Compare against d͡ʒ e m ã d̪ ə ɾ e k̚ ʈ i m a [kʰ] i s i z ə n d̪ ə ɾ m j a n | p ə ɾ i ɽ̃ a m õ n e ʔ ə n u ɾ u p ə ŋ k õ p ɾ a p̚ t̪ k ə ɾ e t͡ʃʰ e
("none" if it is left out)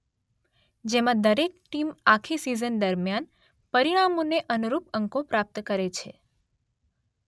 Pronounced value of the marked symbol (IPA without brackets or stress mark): kʰ